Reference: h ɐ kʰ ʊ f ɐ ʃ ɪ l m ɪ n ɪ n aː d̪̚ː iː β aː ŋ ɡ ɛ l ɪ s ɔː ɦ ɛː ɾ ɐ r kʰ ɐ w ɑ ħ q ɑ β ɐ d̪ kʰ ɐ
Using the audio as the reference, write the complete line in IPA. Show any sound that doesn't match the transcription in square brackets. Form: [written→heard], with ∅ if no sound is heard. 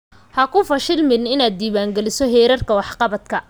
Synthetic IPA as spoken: h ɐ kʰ ʊ f ɐ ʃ ɪ l m ɪ n ɪ n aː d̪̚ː iː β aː ŋ ɡ ɛ l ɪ s [ɔː→ɔ] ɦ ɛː ɾ ɐ r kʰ ɐ w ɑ ħ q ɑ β ɐ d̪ kʰ ɐ